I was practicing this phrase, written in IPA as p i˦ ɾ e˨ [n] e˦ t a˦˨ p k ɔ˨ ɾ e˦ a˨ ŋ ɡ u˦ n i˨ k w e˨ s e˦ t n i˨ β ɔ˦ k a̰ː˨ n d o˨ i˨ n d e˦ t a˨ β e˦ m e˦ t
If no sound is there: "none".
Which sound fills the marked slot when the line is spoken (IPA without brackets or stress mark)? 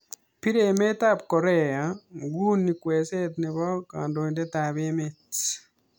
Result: m